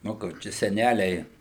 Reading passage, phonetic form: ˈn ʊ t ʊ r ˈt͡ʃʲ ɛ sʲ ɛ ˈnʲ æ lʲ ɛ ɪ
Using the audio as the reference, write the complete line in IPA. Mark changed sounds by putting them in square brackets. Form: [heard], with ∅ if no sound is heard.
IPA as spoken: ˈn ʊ [k] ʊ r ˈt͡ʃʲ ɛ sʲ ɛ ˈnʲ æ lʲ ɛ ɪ